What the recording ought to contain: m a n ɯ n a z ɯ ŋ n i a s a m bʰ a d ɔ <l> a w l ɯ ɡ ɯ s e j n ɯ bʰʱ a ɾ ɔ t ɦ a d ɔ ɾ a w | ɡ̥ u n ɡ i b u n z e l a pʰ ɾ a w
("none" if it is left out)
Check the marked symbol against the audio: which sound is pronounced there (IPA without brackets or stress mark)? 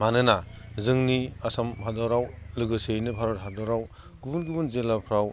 ɾ